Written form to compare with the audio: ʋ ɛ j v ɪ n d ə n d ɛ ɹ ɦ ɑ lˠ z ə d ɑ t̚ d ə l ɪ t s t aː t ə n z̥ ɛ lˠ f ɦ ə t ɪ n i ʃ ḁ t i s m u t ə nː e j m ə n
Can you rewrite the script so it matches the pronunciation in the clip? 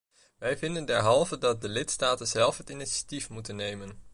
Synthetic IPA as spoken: ʋ ɛ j v ɪ n d ə n d ɛ ɹ ɦ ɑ lˠ v ə d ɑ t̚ d ə l ɪ t s t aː t ə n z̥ ɛ lˠ f ɦ ə t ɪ n i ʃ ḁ t i f m u t ə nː e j m ə n